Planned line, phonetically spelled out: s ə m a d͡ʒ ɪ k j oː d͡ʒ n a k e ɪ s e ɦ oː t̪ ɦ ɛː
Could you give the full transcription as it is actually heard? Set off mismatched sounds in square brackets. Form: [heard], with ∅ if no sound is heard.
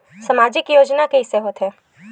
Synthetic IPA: s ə m a d͡ʒ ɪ k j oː d͡ʒ n a k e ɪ s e ɦ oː t̪ ɦ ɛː